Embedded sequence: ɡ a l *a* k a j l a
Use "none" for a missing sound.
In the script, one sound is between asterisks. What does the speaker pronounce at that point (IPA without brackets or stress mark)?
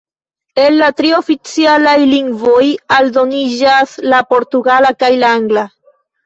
a